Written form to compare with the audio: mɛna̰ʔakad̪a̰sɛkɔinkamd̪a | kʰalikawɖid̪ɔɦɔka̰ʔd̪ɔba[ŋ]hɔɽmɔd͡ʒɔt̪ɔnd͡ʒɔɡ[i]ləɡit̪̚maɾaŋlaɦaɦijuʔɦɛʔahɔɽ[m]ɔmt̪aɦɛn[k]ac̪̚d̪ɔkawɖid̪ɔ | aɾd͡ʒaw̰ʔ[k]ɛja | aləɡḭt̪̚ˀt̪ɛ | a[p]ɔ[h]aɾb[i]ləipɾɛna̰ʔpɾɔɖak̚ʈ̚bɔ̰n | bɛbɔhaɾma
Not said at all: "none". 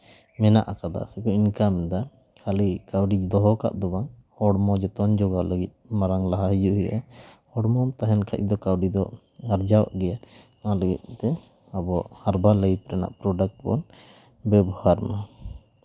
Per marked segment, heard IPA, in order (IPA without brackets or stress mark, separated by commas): ŋ, a, m, kʰ, ɡ, b, h, a